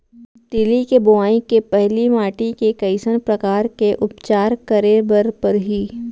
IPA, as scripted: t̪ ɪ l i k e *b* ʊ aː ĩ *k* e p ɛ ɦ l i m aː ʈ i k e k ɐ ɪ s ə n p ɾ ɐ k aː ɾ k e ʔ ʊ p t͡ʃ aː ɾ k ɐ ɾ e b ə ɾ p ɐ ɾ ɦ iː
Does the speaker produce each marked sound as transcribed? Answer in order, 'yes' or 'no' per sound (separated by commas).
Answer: yes, yes